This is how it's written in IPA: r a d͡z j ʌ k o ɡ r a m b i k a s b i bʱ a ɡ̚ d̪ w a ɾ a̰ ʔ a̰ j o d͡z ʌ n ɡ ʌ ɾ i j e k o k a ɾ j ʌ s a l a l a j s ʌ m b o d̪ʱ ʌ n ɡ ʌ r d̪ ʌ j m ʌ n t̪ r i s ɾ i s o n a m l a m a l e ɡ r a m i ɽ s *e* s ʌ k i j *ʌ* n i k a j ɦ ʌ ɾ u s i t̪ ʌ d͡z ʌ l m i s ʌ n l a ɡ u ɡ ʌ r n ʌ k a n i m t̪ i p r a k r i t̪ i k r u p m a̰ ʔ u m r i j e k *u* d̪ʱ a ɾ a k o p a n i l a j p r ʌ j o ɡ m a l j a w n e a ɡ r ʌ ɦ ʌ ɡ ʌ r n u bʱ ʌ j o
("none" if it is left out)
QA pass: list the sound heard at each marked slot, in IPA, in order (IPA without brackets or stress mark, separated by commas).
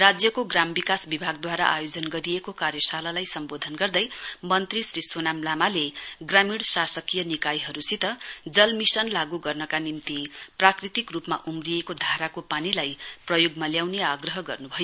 a, ʌ, o